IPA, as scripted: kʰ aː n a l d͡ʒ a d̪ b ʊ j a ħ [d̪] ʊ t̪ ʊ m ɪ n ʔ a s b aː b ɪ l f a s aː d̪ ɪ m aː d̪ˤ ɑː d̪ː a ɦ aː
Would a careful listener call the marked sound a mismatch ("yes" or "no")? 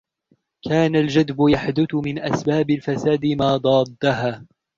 no